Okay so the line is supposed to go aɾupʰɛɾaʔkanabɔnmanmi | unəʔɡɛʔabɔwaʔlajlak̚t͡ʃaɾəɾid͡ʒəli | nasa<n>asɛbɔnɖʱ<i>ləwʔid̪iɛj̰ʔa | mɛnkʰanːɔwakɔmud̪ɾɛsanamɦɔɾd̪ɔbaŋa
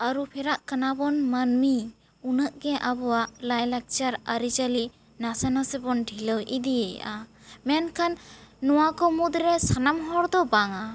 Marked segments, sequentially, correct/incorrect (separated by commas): correct, correct